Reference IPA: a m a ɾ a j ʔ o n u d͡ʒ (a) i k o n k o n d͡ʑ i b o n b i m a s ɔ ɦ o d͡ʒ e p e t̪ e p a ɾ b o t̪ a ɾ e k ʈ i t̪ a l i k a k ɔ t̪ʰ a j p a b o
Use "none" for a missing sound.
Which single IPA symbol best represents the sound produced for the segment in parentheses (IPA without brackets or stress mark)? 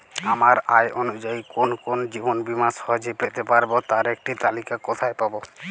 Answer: a